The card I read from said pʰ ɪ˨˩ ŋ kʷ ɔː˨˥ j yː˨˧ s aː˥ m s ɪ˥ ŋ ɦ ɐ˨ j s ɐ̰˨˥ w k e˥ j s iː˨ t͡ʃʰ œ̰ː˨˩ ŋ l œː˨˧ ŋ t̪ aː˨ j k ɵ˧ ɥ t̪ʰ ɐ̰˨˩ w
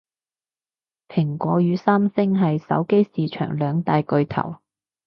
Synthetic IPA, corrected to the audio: pʰ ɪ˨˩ ŋ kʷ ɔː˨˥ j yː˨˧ s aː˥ m s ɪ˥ ŋ ɦ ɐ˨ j s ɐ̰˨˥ w k e˥ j s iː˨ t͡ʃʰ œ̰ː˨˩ ŋ l œː˨˧ ŋ t̪ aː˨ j k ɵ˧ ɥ t̪ʰ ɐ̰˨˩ w